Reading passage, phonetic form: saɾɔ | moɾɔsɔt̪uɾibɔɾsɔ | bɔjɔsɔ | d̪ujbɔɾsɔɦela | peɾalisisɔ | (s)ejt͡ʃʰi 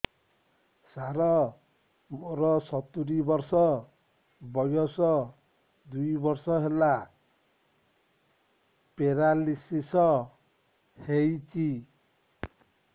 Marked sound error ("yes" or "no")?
yes